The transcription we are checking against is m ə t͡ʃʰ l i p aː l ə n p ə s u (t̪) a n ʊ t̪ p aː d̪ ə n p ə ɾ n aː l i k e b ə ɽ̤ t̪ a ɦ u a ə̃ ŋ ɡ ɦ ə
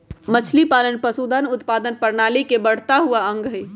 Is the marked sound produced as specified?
no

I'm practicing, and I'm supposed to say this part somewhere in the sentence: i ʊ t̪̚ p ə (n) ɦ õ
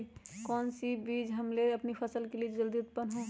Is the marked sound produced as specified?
yes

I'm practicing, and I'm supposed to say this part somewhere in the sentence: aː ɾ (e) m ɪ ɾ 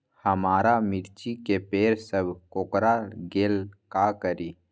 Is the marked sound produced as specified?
no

